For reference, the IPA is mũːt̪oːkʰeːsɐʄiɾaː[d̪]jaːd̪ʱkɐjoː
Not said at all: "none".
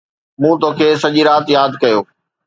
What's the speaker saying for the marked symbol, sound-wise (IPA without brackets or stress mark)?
t̪